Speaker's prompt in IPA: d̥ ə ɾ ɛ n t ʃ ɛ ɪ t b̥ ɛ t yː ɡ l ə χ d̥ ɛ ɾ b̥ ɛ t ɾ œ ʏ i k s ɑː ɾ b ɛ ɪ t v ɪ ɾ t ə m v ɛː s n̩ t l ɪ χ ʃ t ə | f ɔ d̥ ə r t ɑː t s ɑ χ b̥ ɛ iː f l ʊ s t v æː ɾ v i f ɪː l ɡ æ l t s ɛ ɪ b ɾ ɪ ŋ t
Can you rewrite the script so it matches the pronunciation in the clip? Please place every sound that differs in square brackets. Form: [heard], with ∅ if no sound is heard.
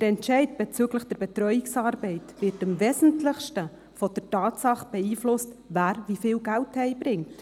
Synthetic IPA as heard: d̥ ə ɾ ɛ n t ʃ ɛ ɪ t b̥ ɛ [t͡s] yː ɡ l ə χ d̥ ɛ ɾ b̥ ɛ t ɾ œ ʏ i k s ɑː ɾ b ɛ ɪ t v ɪ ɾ t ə m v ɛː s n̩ t l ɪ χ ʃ t ə | f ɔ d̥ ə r t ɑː t s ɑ χ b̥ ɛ iː f l ʊ s t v æː ɾ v i f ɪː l ɡ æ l t [h] ɛ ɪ b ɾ ɪ ŋ t